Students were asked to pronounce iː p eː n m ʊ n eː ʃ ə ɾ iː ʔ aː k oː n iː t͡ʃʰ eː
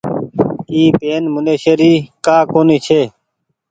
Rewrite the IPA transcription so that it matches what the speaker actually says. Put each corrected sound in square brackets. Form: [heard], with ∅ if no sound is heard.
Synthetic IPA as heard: iː p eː n m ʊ n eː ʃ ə ɾ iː [k] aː k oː n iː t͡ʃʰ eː